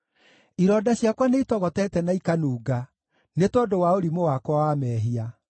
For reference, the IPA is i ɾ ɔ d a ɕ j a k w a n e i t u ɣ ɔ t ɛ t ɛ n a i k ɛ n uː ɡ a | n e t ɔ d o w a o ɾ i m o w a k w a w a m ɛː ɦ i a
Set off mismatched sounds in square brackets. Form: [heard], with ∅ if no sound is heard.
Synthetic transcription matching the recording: i ɾ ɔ d a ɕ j a k w a n e i t [ɔ] ɣ ɔ t ɛ t ɛ n a i k [a] n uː ɡ a | n e t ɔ d o w a o ɾ i m o w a k w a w a m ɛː ɦ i a